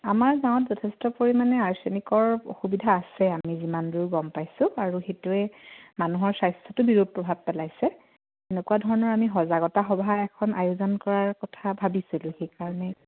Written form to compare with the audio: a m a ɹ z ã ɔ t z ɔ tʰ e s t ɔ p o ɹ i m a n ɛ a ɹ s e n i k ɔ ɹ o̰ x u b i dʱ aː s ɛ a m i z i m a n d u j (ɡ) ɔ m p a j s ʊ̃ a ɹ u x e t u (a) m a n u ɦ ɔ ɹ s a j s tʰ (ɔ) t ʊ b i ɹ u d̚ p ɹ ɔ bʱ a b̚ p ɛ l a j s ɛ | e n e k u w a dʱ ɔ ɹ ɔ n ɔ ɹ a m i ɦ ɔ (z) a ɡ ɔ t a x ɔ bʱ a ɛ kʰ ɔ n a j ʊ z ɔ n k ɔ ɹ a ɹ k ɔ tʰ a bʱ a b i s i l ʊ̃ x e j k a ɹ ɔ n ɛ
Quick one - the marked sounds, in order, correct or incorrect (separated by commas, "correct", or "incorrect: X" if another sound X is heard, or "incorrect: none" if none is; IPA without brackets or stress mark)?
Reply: correct, incorrect: ɛ, correct, correct